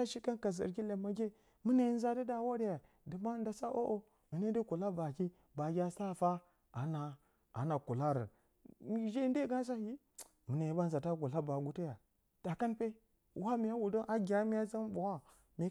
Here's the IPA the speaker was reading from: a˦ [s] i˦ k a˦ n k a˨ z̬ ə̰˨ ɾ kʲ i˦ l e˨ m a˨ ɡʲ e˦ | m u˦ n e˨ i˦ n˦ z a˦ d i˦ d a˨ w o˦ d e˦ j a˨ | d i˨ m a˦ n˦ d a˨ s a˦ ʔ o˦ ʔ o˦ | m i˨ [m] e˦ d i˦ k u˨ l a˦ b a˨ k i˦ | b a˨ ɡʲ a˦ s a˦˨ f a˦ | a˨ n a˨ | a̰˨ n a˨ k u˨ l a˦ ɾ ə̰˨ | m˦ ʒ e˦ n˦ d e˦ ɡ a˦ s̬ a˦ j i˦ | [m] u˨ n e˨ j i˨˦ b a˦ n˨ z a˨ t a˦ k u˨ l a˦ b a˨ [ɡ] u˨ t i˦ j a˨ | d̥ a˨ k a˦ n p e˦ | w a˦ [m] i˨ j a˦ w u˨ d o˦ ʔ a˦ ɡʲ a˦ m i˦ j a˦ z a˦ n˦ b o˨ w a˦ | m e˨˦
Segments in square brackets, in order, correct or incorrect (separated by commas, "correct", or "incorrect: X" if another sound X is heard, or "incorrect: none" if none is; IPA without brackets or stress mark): incorrect: ʃ, incorrect: n, correct, correct, correct